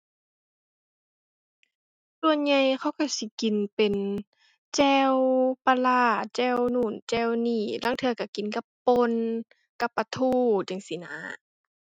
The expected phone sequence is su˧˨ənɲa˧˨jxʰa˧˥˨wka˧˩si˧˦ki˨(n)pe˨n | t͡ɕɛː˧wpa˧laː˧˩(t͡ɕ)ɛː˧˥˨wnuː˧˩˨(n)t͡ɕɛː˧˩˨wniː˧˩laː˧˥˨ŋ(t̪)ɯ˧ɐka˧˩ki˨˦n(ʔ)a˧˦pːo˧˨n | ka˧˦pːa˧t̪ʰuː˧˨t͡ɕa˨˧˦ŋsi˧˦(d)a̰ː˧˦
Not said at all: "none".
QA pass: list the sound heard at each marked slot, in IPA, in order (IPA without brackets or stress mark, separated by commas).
n, t͡ɕ, n, t̪ʰ, k, n